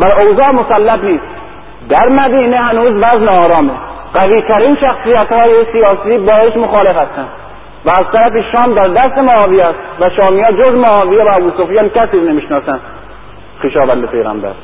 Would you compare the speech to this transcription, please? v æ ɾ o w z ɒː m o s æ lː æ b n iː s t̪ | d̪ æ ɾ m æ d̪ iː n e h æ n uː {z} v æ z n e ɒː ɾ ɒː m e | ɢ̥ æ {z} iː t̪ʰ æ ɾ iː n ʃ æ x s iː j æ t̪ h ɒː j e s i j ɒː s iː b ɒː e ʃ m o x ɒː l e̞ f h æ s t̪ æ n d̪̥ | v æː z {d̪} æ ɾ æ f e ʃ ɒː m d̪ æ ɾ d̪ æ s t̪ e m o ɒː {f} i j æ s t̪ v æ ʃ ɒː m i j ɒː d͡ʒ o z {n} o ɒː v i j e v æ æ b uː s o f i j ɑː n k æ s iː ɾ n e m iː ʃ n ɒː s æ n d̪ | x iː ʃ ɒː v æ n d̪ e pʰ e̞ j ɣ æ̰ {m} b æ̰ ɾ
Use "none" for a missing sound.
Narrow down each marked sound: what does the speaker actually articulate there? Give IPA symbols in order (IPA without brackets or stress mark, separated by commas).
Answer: z, v, t̪, v, m, m